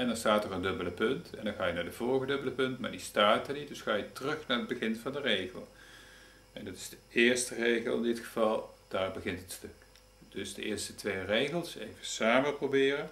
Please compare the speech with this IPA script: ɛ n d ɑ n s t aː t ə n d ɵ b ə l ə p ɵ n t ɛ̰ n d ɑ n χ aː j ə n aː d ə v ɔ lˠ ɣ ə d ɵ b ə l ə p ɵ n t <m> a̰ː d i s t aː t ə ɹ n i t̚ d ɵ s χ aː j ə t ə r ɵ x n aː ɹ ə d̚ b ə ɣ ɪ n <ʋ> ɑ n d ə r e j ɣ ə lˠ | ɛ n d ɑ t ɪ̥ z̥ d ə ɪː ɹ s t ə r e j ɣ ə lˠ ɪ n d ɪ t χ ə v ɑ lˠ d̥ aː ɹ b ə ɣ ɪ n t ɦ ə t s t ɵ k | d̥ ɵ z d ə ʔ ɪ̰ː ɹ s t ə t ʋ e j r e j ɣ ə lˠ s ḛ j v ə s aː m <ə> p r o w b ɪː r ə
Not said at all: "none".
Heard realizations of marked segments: m, v, ə

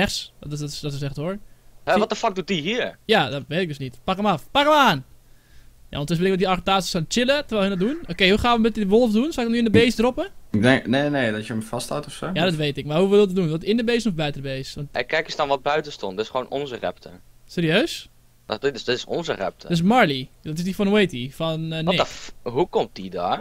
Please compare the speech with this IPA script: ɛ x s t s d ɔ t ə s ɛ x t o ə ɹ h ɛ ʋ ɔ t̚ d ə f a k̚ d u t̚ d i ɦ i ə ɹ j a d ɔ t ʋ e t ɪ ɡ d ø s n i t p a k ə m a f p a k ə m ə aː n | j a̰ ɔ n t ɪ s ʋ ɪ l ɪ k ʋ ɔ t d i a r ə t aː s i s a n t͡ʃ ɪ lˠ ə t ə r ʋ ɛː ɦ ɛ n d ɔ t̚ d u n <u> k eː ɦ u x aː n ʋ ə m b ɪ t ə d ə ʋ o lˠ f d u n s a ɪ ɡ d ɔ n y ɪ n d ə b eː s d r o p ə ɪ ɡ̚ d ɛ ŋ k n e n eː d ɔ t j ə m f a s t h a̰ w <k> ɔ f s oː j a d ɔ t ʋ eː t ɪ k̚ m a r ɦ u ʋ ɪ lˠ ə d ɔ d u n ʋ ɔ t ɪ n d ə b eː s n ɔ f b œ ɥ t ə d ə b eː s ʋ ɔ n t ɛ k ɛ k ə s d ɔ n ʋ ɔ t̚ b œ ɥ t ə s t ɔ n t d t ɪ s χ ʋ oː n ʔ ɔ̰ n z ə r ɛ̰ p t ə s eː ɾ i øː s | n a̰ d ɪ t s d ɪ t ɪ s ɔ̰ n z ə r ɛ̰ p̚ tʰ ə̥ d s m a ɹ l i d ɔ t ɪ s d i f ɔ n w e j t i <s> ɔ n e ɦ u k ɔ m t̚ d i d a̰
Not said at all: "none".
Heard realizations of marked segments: o, t, f

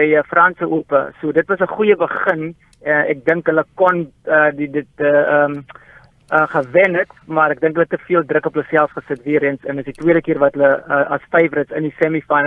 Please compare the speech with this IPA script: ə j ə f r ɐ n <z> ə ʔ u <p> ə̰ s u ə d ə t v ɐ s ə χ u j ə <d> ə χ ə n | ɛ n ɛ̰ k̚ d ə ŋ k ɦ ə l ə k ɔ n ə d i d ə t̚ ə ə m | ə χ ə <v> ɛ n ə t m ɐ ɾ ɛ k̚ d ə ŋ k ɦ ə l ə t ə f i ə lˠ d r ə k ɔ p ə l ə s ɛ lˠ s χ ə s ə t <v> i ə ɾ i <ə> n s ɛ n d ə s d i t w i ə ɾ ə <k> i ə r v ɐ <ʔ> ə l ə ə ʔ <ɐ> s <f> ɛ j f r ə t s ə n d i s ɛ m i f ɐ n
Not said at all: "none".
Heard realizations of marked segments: s, p, b, v, v, ə, k, t, ɐ, f

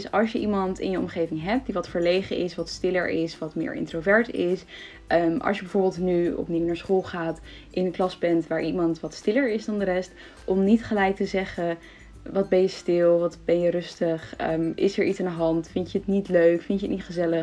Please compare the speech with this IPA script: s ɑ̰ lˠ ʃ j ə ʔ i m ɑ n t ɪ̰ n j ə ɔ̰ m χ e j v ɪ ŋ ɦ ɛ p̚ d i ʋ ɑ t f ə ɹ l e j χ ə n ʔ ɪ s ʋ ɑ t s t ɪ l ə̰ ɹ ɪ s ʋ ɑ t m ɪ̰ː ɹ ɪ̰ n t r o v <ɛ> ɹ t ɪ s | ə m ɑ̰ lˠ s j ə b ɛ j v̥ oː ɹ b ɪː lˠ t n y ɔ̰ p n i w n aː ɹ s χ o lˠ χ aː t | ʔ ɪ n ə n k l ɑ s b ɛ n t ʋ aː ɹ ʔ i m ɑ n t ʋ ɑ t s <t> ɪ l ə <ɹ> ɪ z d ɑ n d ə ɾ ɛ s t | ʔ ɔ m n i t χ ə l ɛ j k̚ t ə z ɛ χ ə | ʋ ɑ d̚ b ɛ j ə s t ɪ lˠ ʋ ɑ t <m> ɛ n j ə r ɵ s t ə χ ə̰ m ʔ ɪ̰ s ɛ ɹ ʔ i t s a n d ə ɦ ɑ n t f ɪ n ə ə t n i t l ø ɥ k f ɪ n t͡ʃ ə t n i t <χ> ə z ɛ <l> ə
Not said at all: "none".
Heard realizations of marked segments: ɛ, t, ɹ, b, χ, l

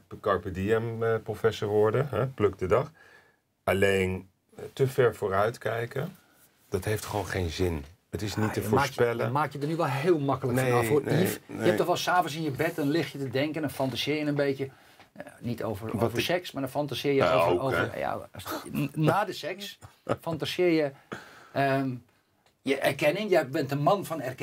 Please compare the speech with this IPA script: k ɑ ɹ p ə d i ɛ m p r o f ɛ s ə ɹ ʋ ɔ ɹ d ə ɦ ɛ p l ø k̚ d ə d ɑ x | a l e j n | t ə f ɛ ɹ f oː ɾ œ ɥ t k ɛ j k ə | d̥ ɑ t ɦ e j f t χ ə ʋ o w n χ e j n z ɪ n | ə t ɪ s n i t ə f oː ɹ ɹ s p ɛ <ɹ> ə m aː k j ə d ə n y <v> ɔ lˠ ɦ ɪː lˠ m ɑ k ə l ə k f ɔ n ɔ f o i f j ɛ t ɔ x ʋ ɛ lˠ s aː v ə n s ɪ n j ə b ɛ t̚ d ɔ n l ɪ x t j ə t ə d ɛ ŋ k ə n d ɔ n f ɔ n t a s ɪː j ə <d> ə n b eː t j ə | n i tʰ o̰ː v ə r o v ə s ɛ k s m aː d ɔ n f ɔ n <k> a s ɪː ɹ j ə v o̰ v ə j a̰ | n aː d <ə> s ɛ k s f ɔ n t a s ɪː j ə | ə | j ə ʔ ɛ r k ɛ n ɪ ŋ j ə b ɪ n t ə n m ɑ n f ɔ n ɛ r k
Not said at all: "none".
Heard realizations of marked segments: l, ʋ, n, t, ə

